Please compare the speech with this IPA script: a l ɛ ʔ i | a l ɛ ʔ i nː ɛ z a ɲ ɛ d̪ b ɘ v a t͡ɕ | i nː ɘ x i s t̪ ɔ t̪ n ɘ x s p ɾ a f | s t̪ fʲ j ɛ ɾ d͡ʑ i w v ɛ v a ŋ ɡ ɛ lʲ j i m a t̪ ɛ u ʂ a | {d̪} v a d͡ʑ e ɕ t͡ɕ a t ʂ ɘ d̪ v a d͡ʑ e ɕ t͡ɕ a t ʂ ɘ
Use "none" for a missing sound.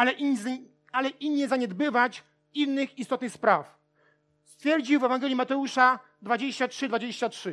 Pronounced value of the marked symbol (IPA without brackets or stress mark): d̪